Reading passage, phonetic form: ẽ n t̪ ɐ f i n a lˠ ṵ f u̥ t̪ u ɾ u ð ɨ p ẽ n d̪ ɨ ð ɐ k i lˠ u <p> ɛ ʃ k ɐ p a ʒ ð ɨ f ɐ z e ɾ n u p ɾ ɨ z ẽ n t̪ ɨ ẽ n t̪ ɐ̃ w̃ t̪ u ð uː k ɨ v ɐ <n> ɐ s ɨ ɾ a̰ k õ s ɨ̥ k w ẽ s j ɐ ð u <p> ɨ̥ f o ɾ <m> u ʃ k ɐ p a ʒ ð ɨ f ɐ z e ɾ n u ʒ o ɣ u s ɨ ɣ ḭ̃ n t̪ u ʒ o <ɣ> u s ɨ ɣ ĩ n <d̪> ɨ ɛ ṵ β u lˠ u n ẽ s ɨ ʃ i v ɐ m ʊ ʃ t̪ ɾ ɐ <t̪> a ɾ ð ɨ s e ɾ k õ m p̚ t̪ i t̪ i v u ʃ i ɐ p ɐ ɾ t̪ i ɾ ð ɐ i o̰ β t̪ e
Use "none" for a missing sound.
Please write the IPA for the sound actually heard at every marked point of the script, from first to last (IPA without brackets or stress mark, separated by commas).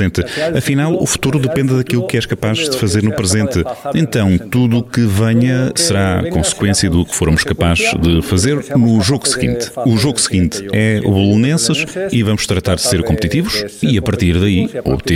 k, ɲ, k, m, ɣ, t̪, t̪